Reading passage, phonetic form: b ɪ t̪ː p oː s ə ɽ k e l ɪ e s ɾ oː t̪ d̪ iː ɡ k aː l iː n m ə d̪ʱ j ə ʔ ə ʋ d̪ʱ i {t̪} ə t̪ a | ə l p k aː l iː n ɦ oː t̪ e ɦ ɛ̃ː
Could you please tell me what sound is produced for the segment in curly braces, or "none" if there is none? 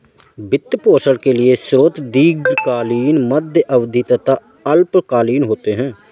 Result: t̪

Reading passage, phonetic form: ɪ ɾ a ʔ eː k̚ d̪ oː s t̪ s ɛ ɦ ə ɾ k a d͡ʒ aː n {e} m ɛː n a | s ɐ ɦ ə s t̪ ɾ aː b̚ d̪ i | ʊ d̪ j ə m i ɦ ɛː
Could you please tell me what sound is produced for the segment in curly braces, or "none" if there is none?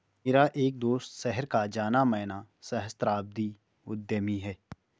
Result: a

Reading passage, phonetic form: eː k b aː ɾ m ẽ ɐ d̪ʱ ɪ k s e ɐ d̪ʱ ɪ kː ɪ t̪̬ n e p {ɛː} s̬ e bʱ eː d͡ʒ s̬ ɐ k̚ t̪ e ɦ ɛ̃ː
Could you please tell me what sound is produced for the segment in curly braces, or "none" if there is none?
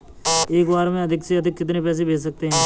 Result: ɛː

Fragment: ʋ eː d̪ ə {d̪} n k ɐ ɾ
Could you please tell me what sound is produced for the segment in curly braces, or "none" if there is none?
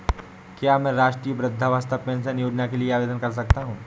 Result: none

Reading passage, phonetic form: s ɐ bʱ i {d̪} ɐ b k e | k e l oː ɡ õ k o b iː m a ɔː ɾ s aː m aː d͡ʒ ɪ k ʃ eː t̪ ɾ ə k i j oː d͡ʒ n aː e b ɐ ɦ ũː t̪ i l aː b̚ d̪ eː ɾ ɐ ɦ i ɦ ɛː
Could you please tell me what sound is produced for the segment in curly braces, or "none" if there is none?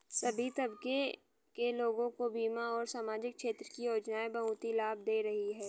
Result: t̪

